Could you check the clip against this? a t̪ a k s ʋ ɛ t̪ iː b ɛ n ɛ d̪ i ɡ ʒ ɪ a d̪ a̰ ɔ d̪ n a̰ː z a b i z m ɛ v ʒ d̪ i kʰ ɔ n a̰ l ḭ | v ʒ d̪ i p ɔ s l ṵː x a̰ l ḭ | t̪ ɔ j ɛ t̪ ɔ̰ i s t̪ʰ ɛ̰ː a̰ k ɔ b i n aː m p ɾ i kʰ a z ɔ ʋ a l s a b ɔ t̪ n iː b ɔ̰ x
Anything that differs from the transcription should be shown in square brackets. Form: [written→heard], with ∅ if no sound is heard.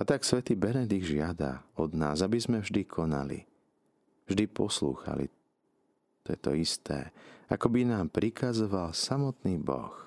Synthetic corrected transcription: a t̪ a k s ʋ ɛ t̪ iː b ɛ n ɛ d̪ i ɡ ʒ ɪ a d̪ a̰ ɔ d̪ n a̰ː z a b i z m ɛ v ʒ d̪ i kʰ ɔ n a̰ l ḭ | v ʒ d̪ i p ɔ s l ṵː x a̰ l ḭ | t̪ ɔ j ɛ t̪ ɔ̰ i s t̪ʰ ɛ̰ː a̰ k ɔ b i n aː m p ɾ i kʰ a z ɔ ʋ a l s a [b→m] ɔ t̪ n iː b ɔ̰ x